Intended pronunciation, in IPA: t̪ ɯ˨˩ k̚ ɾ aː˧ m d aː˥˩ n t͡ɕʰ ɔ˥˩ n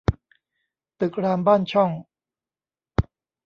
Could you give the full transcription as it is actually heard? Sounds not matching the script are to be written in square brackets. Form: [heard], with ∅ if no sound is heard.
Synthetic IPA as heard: t̪ ɯ˨˩ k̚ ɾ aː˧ m [b] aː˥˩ n t͡ɕʰ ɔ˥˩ [ŋ]

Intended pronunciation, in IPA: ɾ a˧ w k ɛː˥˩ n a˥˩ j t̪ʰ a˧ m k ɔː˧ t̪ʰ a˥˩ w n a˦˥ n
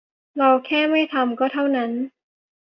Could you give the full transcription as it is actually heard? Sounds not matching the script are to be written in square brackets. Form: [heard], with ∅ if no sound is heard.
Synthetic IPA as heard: ɾ a˧ w [kʰ] ɛː˥˩ [m] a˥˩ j t̪ʰ a˧ m k [ɔː˥˩] t̪ʰ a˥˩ w n a˦˥ n

